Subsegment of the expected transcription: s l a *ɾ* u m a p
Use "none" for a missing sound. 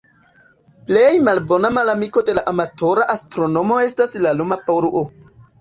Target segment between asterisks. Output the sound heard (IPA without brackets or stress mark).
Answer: l